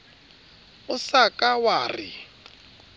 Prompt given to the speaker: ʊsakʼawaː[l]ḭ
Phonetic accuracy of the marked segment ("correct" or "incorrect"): incorrect